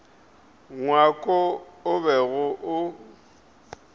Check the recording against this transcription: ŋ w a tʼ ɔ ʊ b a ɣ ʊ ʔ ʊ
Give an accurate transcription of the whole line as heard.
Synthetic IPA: ŋ w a kʼ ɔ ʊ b ɛ ɣ ʊ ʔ ʊ